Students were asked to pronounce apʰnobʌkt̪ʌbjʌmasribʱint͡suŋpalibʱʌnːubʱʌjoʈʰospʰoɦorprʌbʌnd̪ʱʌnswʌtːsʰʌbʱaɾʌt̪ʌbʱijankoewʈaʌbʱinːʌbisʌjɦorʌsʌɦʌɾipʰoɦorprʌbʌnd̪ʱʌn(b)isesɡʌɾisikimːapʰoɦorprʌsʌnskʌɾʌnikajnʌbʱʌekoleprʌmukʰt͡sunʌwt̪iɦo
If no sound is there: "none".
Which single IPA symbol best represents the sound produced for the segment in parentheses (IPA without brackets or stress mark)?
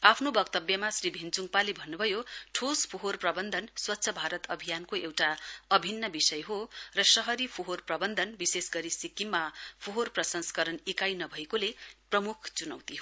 b